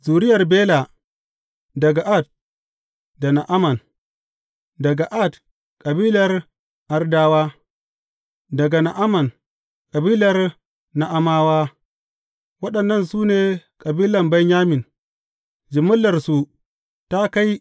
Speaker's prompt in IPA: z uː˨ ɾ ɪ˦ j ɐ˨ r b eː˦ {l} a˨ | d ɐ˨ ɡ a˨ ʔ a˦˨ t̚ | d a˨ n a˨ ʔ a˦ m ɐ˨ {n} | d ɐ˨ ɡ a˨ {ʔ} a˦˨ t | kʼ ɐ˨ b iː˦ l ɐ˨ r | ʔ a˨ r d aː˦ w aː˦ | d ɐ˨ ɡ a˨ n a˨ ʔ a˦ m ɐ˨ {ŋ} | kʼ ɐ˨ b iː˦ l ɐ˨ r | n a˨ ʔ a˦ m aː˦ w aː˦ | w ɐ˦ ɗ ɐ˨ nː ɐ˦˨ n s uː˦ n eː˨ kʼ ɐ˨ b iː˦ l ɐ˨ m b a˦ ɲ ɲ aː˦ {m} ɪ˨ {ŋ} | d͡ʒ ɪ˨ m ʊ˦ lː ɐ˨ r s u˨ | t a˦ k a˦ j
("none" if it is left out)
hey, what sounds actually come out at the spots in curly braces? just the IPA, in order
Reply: l, n, ʔ, n, m, n

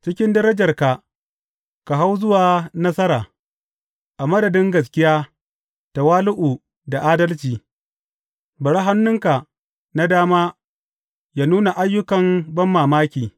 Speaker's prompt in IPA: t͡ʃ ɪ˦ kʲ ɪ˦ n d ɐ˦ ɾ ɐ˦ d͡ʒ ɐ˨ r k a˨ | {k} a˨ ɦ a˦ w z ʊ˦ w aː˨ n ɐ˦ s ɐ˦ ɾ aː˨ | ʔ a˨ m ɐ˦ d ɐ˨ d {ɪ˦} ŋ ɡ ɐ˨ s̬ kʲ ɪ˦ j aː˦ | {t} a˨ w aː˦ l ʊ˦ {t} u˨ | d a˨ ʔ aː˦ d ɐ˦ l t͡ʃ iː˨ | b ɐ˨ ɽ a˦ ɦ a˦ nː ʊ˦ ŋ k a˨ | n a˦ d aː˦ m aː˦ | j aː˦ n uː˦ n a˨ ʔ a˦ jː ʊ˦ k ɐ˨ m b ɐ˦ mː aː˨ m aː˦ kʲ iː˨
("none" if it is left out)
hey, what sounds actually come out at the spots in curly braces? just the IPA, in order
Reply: k, ɪ˦, t, ʔ

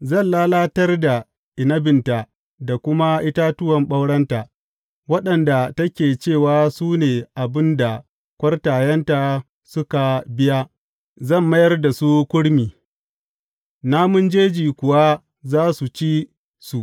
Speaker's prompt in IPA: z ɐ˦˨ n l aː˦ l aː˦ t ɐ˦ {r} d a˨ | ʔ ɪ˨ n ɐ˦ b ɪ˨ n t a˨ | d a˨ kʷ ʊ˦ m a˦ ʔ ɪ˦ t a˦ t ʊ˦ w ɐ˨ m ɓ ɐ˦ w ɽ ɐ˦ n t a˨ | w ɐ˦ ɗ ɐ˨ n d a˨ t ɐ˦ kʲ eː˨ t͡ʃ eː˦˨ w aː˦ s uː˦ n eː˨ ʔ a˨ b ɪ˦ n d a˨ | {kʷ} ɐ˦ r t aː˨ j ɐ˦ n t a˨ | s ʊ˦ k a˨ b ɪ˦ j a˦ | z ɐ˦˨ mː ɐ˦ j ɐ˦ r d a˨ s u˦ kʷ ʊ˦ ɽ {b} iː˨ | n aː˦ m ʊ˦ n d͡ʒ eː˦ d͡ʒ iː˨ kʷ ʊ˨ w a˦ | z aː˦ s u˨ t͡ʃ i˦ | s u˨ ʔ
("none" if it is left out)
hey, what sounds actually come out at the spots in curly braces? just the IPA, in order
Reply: r, kʷ, m

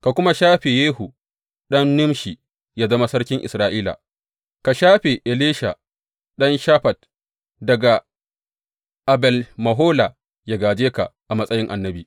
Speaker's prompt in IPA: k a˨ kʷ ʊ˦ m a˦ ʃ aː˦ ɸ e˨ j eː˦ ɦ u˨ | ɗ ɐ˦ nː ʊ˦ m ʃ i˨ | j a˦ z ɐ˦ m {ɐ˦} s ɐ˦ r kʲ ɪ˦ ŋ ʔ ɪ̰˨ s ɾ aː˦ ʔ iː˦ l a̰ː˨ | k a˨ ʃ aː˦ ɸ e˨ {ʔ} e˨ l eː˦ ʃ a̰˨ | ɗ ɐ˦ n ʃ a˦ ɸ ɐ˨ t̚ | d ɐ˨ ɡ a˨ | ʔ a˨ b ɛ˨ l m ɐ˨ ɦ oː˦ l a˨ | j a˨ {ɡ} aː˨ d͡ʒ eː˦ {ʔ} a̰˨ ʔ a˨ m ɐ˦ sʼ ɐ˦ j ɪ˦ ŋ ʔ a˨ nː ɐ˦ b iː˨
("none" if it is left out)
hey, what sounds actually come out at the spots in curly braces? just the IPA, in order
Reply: a˦, ʔ, ɡ, k

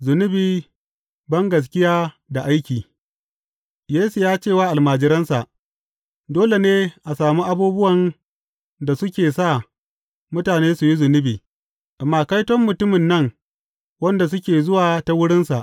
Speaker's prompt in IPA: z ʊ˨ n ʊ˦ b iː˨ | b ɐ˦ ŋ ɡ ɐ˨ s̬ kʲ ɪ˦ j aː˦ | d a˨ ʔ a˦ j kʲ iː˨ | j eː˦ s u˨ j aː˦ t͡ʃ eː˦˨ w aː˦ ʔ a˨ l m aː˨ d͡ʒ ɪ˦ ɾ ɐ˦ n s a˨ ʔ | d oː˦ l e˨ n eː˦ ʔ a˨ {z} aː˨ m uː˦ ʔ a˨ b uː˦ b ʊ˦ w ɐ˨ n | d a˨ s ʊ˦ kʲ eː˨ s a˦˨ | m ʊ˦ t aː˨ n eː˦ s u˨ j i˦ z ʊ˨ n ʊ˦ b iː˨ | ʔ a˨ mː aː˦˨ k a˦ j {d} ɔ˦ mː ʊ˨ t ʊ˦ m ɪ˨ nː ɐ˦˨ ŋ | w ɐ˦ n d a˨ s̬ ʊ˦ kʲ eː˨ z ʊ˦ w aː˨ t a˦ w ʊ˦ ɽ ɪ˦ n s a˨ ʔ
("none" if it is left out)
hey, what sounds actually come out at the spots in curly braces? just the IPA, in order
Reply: s, t

